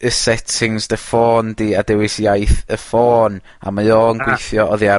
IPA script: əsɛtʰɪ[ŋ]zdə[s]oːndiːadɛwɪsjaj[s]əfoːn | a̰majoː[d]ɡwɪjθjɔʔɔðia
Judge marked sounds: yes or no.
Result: yes, no, no, no

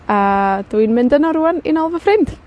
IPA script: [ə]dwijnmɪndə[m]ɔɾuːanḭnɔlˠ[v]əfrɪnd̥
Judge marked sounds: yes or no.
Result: no, no, yes

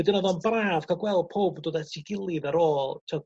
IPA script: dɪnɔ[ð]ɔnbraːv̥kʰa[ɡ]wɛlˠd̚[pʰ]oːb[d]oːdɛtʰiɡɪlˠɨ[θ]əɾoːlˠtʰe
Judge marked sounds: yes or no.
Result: yes, yes, yes, yes, no

